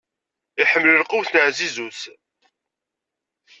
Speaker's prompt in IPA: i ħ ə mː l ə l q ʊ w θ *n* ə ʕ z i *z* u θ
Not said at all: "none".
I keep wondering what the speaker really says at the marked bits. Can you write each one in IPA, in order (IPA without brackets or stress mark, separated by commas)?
n, z